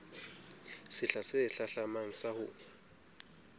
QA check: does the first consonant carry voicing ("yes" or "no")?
no